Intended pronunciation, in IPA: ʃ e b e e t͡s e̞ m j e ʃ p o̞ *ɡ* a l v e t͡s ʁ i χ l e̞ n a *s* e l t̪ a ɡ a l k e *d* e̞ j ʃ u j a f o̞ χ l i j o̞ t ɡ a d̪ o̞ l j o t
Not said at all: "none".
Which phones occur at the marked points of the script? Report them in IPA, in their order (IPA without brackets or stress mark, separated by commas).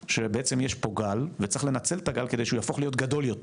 ɡ, t͡s, d